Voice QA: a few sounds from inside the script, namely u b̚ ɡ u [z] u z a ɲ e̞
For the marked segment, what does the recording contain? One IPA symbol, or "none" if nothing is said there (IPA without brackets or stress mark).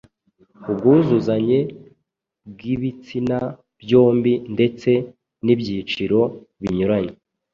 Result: z